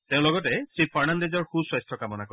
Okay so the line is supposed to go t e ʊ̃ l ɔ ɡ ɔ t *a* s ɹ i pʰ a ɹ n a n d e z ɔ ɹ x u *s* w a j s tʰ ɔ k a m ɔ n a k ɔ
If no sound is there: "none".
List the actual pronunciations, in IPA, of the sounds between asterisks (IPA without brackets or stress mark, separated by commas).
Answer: ɛ, s